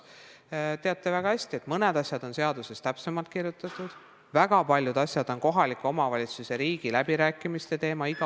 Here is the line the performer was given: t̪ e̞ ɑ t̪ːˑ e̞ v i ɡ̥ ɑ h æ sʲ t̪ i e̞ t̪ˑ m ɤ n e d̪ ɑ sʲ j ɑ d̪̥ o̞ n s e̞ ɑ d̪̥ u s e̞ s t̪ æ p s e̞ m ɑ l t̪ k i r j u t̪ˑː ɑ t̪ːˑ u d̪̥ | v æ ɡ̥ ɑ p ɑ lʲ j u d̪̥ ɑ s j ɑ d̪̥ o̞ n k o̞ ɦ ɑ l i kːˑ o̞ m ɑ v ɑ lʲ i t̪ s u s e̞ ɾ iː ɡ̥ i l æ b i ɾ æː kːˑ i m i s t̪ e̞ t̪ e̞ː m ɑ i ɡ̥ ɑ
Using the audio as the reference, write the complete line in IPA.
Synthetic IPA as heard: t̪ e̞ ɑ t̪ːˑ e̞ v æ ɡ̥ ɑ h æ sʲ t̪ i e̞ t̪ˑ m ɤ n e d̪ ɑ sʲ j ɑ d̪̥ o̞ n s e̞ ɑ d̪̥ u s e̞ s t̪ æ p s e̞ m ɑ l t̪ k i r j u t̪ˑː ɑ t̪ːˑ u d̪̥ | v æ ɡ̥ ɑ p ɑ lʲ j u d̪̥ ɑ s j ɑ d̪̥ o̞ n k o̞ ɦ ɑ l i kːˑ o̞ m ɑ v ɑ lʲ i t̪ s u s e̞ ɾ iː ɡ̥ i l æ b i ɾ æː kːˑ i m i s t̪ e̞ t̪ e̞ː m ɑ i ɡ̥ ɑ

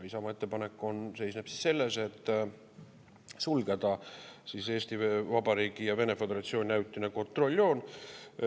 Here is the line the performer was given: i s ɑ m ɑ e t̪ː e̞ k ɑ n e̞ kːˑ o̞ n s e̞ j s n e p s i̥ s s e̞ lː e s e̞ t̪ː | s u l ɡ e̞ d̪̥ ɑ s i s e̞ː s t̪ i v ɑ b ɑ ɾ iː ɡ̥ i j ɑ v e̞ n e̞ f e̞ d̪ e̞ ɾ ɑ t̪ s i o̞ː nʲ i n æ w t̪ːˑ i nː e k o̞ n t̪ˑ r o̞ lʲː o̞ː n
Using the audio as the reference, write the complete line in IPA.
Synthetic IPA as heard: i s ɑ m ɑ e t̪ː e̞ p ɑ n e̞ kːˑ o̞ n s e̞ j s n e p s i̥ s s e̞ lː e s e̞ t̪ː | s u l ɡ e̞ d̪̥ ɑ s i s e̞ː s t̪ i v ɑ b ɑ ɾ iː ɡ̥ i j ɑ v e̞ n e̞ f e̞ d̪ e̞ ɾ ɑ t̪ s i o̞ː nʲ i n æ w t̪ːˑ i n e k o̞ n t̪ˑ r o̞ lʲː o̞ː n

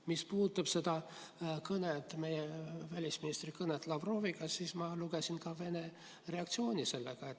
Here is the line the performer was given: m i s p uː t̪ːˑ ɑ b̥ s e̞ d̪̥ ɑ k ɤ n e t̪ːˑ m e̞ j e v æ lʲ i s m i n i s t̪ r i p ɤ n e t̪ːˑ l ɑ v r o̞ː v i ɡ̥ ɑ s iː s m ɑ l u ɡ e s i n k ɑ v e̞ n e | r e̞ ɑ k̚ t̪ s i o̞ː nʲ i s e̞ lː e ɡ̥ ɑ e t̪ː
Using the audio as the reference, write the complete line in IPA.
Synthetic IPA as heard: m i s p uː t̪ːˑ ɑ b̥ s e̞ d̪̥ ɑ k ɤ n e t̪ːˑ m e̞ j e v æ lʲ i s m i n i s t̪ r i k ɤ n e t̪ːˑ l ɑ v r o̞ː v i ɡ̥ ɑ s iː s m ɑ l u ɡ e s i n k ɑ v e̞ n e | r e̞ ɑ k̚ t̪ s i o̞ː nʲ i s e̞ lː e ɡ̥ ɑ e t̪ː

